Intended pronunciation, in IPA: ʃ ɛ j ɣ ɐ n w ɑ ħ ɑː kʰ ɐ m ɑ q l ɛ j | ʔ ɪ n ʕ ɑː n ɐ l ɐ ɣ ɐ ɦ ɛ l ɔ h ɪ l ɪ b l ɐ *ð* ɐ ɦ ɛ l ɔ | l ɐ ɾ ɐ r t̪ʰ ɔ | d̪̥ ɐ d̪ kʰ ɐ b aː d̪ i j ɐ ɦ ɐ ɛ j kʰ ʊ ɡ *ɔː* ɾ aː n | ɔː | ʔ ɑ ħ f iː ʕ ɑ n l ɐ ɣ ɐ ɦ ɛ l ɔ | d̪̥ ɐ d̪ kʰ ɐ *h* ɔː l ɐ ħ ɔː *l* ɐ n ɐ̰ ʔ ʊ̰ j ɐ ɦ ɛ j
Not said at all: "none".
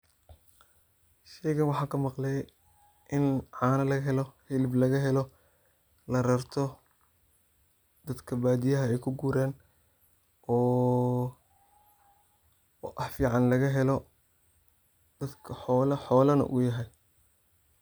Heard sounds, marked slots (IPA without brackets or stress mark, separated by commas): ɣ, uː, ħ, l